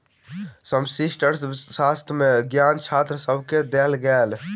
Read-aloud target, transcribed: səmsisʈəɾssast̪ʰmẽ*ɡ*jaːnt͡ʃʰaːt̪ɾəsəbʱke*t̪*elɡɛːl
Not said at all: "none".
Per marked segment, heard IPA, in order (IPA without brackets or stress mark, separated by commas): ɡ, d̪